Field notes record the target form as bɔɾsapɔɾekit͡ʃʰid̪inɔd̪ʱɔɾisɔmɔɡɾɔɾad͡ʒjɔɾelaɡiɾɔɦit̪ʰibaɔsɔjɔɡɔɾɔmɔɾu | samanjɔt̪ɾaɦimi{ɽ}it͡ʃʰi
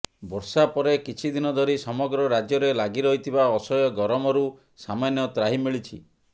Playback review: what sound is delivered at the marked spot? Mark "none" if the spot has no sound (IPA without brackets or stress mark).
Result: ɭ